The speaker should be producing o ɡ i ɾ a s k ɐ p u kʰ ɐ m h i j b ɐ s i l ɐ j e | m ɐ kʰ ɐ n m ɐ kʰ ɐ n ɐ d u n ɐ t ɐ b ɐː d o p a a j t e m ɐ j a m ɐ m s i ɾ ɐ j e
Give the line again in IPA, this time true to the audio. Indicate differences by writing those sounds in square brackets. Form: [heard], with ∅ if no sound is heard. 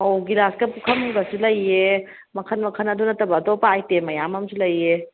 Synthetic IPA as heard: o ɡ i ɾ a s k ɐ p u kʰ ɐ m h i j b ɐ s i l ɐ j e | m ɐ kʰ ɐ n m ɐ kʰ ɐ n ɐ d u n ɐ t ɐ b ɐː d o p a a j t e m ɐ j a m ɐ m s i [l] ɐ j e